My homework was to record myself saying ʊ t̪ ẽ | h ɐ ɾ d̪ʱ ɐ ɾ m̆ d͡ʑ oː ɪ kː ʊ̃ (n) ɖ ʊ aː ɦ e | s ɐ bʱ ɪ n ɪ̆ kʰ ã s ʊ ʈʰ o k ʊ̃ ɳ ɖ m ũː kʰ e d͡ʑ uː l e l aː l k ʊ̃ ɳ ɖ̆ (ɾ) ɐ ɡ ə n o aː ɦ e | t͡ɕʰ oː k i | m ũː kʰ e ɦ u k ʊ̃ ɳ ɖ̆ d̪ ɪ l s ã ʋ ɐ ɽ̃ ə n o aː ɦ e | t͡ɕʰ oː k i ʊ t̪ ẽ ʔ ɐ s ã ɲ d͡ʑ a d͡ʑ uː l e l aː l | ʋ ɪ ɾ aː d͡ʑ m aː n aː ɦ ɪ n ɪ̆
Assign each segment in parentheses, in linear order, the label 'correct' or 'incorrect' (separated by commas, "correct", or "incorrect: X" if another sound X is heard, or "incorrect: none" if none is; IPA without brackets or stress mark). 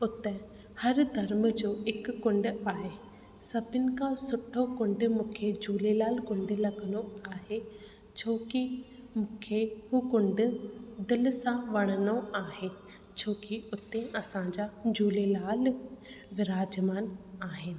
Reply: incorrect: ɳ, incorrect: l